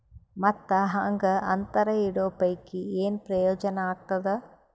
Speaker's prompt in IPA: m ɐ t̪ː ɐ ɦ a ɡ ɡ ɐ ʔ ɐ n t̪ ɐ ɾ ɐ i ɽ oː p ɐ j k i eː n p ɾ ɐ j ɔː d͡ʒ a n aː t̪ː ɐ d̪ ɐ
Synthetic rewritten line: m ɐ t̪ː ɐ ɦ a ŋ ɡ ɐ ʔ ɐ n t̪ ɐ ɾ ɐ i ɽ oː p ɐ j k i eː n p ɾ ɐ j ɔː d͡ʒ ɐ n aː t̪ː ɐ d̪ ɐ